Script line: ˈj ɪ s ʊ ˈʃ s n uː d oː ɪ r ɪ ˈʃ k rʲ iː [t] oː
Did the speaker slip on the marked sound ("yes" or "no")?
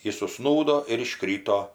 no